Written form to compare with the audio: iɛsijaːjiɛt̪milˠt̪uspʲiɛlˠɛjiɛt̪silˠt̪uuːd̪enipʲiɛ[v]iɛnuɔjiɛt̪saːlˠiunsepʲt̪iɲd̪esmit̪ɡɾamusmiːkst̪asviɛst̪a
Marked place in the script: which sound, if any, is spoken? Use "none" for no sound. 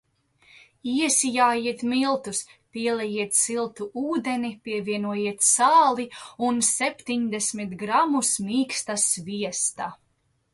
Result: v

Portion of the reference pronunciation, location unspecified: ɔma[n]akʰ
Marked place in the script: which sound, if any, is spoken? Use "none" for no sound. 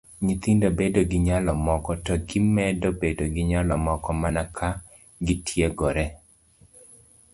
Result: n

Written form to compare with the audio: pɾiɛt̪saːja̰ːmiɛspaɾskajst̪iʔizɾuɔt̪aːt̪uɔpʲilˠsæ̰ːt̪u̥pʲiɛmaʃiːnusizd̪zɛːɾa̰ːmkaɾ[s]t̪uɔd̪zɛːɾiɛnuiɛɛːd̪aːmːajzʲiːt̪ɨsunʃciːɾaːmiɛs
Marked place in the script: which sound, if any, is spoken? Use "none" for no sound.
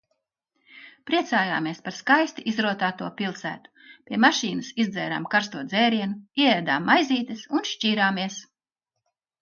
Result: s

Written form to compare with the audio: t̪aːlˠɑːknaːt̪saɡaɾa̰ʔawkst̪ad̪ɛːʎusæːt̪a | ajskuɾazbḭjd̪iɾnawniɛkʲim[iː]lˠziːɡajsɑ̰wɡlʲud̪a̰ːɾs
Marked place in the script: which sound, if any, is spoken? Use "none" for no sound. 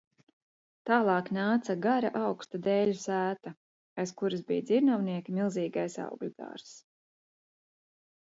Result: i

